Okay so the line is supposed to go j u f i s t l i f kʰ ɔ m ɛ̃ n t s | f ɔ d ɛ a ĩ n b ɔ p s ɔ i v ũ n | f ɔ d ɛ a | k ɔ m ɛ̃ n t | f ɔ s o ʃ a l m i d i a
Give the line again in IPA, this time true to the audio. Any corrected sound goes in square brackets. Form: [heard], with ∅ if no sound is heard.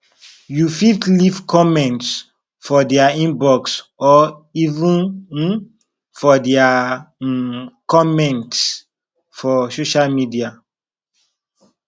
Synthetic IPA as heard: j u f i [f] t l i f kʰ ɔ m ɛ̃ n t s | f ɔ d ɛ a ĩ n b ɔ [k] s ɔ i v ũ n | f ɔ d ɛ a | k ɔ m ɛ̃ n t | f ɔ s o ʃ a l m i d i a